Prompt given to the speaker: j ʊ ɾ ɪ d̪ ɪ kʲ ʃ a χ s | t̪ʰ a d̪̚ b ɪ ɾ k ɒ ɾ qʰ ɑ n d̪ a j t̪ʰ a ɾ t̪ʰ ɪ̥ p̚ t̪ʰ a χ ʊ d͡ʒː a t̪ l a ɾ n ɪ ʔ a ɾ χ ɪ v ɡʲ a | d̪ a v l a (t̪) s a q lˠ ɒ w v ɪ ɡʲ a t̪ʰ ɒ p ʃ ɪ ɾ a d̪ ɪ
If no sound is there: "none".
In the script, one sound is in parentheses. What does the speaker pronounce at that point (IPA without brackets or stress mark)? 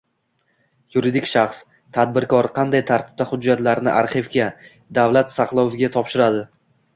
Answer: t̪